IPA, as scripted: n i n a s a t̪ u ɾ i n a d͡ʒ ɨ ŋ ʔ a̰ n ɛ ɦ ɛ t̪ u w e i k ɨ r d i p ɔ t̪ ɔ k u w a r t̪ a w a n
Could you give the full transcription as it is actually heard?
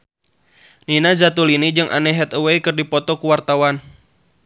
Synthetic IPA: n i n a z a t̪ u l i n i d͡ʒ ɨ ŋ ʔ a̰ n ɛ ɦ ɛ t̪ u w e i k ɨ r d i p ɔ t̪ ɔ k u w a r t̪ a w a n